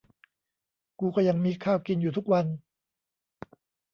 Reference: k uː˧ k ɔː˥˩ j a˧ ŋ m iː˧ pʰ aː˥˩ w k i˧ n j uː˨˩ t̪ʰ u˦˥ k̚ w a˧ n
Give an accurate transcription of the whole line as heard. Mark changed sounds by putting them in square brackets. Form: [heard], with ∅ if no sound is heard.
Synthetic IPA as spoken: k uː˧ k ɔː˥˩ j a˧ ŋ m iː˧ [kʰ] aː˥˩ w k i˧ n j uː˨˩ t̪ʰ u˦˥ k̚ w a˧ n